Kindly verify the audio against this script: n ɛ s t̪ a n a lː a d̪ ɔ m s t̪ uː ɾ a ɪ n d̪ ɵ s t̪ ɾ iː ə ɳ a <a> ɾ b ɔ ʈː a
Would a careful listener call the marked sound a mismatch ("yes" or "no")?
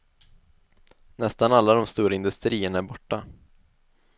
yes